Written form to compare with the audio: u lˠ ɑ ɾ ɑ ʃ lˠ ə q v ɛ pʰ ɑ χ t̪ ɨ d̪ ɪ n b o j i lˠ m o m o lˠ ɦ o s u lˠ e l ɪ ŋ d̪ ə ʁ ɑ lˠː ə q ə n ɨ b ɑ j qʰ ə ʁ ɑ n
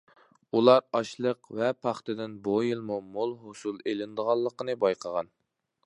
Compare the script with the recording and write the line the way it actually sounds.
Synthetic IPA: u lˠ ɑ ɾ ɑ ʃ lˠ ə q v ɛ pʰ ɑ χ t̪ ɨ d̪ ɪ n b o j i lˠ m u m o lˠ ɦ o s u lˠ e l ɪ n d̪ ə ʁ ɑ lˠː ə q ə n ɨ b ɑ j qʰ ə ʁ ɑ n